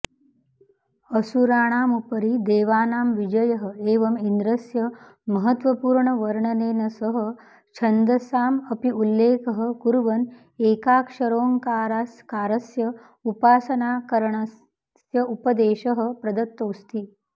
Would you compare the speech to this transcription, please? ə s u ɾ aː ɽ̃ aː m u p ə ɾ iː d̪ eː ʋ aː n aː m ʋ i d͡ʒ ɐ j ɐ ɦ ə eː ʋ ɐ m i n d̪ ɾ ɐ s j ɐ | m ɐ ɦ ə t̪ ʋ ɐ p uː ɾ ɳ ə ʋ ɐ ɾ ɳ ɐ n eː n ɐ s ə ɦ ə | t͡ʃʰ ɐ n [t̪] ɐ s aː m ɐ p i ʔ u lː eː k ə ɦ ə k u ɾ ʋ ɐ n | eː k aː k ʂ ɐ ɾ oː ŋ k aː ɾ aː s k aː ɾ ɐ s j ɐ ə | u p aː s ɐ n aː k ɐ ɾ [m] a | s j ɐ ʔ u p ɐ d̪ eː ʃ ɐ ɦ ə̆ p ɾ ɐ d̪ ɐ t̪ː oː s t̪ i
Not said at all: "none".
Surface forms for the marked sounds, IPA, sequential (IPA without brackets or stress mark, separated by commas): d̪, ɳ